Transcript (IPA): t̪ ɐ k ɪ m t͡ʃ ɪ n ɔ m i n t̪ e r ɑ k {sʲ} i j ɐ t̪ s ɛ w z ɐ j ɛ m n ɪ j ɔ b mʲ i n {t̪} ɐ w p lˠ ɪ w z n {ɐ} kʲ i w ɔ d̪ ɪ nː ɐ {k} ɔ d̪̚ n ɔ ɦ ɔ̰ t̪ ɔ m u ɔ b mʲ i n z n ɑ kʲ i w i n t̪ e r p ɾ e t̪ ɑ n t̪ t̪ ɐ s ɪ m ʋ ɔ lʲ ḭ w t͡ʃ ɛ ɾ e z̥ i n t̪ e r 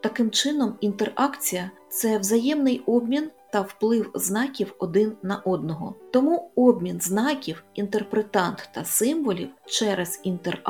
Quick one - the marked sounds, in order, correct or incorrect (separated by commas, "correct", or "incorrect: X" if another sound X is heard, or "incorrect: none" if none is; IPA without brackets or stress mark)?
incorrect: t͡sʲ, correct, incorrect: ɑ, incorrect: ʔ